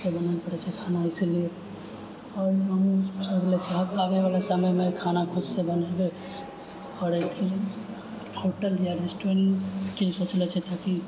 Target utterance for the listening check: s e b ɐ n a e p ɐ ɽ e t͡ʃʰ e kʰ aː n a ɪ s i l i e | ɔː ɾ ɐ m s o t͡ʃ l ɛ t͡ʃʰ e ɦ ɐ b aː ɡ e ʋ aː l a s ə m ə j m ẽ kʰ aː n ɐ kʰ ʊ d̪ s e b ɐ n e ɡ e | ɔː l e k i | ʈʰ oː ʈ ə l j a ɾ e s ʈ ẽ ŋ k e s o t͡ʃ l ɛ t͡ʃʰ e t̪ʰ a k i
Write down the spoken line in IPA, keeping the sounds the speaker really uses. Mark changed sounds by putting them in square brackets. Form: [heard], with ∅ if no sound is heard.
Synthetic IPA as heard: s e b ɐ n a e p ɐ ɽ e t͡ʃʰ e kʰ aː n a ɪ s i l i e | ɔː ɾ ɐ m s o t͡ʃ l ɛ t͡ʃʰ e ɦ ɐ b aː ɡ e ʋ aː l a s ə m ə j m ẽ kʰ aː n [a] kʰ ʊ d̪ s e b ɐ n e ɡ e | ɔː [ɾ] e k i | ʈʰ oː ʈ ə l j a ɾ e s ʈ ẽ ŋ k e s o t͡ʃ l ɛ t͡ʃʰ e t̪ʰ a k i